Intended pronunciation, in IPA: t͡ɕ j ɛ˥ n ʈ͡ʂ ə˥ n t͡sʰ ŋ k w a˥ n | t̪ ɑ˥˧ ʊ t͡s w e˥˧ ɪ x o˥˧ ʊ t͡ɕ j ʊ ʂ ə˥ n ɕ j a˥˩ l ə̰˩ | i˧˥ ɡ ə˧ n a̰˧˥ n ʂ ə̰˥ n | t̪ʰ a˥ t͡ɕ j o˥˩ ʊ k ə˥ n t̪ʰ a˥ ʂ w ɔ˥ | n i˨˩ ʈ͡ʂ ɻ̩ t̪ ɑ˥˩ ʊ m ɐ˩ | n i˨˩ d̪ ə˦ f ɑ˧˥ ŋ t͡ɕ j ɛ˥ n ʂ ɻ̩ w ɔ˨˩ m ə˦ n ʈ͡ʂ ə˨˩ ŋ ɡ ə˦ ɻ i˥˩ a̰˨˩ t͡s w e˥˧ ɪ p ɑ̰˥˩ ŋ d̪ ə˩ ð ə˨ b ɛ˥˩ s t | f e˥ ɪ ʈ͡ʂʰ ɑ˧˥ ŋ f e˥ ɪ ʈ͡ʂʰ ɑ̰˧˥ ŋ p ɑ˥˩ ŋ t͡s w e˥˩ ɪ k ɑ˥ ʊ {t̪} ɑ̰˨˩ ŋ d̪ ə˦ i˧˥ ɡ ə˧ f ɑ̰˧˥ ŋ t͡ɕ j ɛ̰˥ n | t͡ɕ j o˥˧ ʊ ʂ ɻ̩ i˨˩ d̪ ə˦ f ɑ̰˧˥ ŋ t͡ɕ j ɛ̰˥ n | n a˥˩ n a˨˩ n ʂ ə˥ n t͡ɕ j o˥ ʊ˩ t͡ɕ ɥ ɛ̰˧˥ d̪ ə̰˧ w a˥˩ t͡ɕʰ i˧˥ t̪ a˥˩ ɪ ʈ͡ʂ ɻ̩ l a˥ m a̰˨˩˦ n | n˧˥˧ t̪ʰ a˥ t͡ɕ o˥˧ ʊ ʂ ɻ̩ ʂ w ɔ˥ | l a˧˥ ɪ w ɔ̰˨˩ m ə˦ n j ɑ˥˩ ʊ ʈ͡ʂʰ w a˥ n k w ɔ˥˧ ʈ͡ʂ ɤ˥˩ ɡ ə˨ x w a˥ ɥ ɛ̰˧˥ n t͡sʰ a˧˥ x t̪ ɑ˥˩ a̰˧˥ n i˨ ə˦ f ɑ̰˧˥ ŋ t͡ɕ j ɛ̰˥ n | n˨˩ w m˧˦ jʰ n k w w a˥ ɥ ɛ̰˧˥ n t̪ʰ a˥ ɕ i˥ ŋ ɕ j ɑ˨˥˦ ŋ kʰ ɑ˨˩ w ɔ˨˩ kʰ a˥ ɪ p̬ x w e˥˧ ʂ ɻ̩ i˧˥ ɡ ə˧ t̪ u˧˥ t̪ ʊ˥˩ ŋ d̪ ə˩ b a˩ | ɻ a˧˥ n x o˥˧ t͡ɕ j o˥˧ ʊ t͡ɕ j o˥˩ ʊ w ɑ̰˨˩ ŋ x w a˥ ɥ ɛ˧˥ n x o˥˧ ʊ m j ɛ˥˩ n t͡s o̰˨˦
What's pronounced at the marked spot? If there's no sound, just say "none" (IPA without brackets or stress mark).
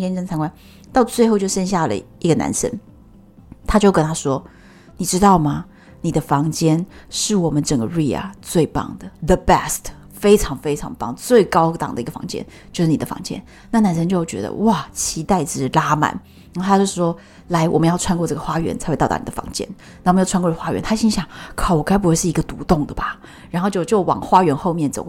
t̪